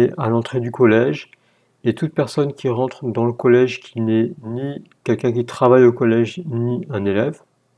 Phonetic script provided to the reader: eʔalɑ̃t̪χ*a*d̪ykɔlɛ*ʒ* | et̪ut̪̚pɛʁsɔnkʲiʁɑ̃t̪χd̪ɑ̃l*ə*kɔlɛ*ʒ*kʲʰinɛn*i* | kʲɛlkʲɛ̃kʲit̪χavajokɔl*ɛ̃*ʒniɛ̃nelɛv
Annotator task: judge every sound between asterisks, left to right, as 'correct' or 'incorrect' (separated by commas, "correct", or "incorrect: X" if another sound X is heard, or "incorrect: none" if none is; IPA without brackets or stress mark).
incorrect: e, correct, correct, correct, correct, incorrect: ɛ